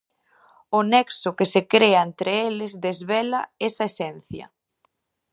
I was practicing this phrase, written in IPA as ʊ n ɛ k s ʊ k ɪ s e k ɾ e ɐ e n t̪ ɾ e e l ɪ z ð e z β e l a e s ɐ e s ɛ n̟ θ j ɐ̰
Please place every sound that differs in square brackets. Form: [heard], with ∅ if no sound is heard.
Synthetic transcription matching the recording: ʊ n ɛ k s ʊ k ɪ s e k ɾ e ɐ e n t̪ ɾ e e l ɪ z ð e z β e l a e s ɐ e s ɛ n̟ θ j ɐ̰